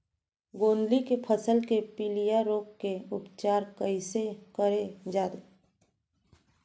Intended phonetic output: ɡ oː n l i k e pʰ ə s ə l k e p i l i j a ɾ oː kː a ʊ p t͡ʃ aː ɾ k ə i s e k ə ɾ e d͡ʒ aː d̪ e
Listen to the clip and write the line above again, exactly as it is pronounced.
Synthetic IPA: ɡ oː n l i k e pʰ ə s ə l k e p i l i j a ɾ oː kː e ʊ p t͡ʃ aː ɾ k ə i s e k ə ɾ e d͡ʒ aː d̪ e